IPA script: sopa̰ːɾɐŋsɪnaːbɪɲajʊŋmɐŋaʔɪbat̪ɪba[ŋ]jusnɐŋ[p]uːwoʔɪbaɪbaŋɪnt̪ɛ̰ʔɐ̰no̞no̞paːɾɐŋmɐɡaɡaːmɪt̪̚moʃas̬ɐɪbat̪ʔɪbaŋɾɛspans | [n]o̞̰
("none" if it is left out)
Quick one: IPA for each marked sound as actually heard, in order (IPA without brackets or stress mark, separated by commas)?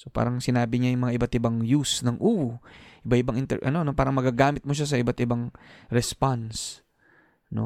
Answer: ŋ, ʔ, n